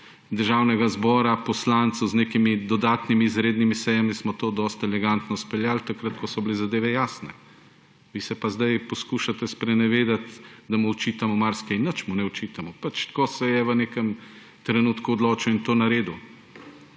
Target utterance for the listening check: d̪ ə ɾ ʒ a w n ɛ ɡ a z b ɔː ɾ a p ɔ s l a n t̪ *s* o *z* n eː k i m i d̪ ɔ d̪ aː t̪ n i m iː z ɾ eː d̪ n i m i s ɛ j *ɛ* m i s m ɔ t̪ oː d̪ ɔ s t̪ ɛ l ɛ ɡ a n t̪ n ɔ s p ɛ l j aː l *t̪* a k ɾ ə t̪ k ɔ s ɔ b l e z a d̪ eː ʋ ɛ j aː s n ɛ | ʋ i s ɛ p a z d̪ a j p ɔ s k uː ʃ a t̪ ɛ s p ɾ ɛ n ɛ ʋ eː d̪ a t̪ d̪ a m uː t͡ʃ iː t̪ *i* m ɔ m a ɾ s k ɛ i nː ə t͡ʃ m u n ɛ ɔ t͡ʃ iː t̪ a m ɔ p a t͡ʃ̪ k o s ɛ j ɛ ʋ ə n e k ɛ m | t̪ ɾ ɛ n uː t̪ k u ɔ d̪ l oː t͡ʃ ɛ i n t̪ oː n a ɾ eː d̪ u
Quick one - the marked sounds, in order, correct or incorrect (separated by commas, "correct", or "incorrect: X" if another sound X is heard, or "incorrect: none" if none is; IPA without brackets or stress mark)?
correct, correct, incorrect: a, correct, incorrect: a